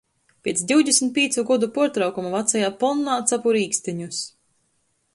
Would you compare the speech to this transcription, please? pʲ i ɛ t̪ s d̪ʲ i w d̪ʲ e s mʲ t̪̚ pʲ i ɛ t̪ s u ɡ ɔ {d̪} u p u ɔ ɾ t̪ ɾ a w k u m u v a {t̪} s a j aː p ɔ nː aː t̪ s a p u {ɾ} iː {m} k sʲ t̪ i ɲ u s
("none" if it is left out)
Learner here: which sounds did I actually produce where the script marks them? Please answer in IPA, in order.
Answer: d̪, t̪, ɾ, none

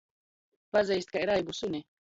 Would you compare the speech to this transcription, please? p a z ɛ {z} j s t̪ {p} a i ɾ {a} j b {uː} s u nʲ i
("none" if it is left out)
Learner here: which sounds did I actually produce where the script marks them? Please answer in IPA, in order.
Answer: none, k, a, u

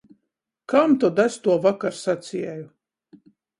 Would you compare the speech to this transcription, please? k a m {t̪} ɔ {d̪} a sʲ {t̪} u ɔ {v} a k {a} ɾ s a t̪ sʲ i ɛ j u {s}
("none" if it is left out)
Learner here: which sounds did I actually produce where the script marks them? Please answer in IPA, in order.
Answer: t̪, d̪, t̪, v, a, none

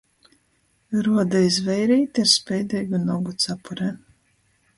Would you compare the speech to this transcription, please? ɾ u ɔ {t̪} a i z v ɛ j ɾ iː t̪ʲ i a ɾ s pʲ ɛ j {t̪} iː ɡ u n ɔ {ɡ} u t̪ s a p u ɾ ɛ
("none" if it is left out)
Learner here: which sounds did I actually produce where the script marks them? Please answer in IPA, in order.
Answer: d̪, d̪, ɡ

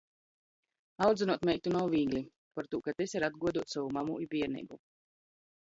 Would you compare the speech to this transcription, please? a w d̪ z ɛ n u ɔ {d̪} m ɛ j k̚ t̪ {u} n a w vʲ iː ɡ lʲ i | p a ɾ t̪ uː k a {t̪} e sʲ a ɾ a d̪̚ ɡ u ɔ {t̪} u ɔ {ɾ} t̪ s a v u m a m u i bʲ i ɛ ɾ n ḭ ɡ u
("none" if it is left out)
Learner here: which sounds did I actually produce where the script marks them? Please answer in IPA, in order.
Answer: t̪, u, t̪, d̪, none

